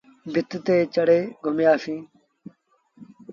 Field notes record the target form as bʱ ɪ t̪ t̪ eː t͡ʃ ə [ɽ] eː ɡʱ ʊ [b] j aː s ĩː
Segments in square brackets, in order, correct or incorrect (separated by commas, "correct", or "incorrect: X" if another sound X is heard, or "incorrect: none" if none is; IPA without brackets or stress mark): correct, incorrect: m